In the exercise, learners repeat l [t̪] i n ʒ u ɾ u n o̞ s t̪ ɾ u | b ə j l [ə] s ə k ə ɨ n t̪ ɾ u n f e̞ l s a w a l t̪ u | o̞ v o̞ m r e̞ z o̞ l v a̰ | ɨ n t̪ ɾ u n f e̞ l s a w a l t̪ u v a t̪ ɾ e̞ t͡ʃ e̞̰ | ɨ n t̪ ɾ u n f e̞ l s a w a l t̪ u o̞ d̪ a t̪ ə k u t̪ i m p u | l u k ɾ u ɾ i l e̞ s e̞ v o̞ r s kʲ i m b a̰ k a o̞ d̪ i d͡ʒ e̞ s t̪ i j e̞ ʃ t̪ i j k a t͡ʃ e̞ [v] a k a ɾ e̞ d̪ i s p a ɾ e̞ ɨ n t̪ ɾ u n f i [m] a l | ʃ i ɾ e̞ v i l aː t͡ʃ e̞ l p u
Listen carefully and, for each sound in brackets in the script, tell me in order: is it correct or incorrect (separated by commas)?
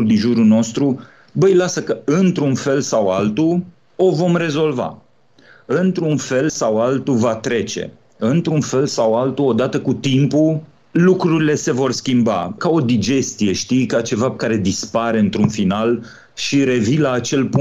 incorrect, incorrect, correct, incorrect